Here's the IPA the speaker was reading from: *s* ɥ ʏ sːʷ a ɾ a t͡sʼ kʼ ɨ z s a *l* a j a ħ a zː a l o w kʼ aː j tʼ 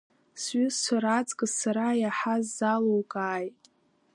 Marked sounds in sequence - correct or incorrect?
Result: correct, incorrect: ɾ

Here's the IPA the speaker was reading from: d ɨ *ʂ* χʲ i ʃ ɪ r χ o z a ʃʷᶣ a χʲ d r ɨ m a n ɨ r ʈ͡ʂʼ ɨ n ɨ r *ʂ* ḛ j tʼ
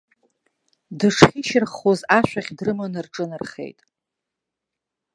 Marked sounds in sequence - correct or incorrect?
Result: correct, incorrect: χ

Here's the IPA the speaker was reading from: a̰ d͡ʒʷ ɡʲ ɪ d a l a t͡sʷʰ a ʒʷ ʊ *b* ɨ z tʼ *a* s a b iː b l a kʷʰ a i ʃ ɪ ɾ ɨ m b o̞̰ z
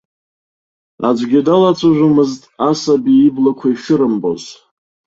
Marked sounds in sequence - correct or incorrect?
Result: incorrect: m, correct

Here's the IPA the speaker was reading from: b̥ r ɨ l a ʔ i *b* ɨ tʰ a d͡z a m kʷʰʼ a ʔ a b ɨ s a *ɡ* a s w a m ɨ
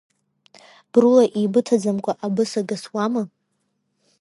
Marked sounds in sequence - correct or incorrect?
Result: correct, correct

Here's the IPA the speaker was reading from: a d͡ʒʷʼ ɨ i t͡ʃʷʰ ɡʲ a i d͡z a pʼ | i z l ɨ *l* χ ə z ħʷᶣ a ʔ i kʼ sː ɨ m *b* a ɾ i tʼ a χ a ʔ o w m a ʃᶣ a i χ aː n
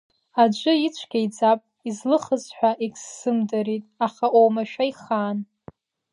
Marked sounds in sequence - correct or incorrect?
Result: incorrect: none, incorrect: d

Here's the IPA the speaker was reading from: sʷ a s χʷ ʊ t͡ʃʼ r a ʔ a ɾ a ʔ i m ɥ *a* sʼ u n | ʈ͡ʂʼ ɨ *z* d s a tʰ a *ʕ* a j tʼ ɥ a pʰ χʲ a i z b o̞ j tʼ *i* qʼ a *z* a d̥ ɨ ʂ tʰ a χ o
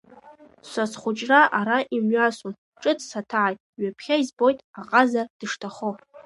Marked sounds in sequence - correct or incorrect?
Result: correct, incorrect: none, correct, incorrect: a, correct

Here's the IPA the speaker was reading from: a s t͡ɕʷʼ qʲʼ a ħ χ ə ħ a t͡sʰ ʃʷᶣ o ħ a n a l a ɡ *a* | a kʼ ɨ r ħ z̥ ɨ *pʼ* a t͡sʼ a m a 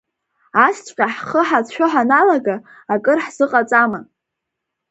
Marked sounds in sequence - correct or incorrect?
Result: correct, incorrect: qʼ

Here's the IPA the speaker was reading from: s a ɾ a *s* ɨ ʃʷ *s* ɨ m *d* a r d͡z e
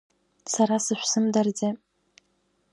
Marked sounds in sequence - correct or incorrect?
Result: correct, correct, correct

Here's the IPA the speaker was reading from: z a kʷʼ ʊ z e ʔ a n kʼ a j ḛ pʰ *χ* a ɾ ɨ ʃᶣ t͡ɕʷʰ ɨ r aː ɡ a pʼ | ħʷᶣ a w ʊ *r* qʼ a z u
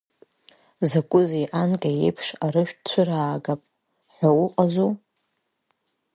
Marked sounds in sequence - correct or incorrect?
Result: incorrect: ʂ, incorrect: none

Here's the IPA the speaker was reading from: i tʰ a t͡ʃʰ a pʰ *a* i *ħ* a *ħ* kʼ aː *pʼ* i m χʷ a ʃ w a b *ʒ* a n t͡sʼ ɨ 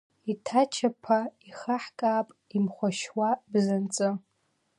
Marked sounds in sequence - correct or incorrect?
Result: correct, incorrect: χ, correct, correct, incorrect: z

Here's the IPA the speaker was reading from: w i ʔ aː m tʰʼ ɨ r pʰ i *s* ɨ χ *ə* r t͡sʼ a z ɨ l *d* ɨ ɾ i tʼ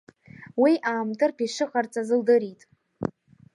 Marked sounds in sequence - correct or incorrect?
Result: incorrect: ʂ, incorrect: a, correct

